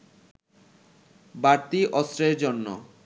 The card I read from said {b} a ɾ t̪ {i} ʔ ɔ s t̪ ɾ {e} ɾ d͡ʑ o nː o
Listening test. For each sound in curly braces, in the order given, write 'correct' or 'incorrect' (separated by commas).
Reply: correct, correct, correct